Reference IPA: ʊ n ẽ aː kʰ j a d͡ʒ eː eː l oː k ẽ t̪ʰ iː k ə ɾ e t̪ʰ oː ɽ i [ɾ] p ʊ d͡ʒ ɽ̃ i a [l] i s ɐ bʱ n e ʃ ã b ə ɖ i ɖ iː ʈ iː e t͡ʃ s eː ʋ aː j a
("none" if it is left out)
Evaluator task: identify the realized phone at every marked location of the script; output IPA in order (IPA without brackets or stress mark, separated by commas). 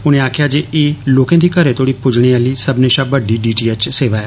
none, l